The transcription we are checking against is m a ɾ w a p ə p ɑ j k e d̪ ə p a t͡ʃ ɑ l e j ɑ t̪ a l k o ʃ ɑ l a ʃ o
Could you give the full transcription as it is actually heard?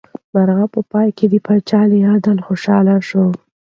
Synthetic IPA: m a ɾ ɣ a p ə p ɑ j k e d̪ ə p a t͡ʃ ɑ l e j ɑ d̪ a l x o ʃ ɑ l a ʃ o